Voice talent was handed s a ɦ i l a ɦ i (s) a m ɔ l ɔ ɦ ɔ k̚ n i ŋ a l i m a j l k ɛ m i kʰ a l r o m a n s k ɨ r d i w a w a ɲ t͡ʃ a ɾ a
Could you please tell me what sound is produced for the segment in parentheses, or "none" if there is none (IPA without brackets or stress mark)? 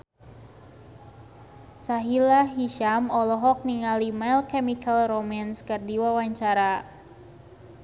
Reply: ʃ